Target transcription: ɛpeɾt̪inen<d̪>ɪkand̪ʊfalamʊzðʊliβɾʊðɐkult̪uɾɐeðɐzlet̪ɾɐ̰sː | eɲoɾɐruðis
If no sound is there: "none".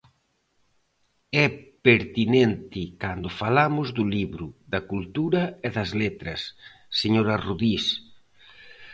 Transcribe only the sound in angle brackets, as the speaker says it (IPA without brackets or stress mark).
t̪